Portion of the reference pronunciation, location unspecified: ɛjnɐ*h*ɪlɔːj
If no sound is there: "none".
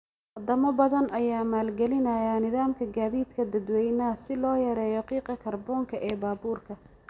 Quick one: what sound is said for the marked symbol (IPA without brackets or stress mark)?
s